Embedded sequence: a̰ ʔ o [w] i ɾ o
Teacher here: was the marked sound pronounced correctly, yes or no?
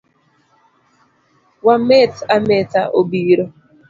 no